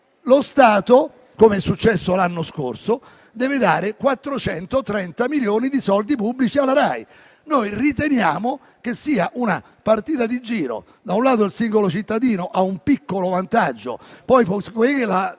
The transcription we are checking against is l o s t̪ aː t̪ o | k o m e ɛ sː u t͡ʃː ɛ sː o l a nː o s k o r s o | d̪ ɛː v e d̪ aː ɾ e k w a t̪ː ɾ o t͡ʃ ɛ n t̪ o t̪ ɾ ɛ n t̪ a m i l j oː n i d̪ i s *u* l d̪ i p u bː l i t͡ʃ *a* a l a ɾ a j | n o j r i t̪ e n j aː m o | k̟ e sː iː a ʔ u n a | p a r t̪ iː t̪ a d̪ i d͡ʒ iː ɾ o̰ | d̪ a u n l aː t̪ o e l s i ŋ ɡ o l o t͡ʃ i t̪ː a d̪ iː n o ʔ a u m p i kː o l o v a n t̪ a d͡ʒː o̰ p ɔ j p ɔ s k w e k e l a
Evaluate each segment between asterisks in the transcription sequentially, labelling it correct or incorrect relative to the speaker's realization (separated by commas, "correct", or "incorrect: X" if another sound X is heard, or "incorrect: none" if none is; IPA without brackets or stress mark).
incorrect: ɔ, incorrect: i